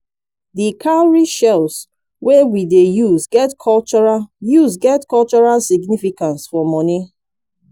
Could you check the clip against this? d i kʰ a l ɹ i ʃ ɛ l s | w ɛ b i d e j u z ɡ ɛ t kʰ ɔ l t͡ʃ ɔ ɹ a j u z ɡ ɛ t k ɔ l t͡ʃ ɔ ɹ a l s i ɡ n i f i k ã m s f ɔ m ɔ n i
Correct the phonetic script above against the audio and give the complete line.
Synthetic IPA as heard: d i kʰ a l ɹ i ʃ ɛ l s | w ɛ w i d e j u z ɡ ɛ t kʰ ɔ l t͡ʃ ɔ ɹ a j u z ɡ ɛ t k ɔ l t͡ʃ ɔ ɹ a l s i ɡ n i f i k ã n s f ɔ m ɔ n i